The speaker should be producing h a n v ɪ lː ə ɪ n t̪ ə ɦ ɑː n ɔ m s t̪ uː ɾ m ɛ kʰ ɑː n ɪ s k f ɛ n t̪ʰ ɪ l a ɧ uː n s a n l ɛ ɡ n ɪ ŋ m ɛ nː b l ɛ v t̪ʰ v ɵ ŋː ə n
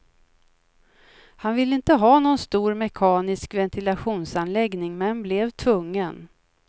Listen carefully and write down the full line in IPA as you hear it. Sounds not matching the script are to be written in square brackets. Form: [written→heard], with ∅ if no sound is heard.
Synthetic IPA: h a n v ɪ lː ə ɪ n t̪ ə ɦ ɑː n ɔ [m→n] s t̪ uː ɾ m ɛ kʰ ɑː n ɪ s k [f→v] ɛ n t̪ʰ ɪ l a ɧ uː n s a n l ɛ ɡ n ɪ ŋ m ɛ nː b l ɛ v t̪ʰ v ɵ ŋː ə n